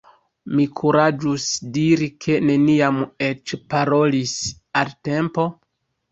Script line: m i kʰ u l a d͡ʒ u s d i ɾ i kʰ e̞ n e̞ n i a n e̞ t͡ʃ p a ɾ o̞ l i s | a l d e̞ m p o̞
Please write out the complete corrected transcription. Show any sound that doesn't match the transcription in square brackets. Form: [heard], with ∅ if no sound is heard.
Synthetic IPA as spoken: m i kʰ u [ɾ] a d͡ʒ u s d i ɾ i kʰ e̞ n e̞ n i a [m] e̞ t͡ʃ p a ɾ o̞ l i s | a l [t] e̞ m p o̞